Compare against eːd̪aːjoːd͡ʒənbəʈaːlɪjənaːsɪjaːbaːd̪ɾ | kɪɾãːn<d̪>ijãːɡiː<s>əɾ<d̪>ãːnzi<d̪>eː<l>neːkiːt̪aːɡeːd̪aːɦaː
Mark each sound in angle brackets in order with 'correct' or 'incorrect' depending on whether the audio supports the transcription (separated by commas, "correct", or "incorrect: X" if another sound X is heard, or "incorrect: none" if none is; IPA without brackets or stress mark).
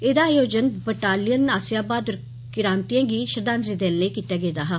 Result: incorrect: t̪, incorrect: ʃ, correct, correct, correct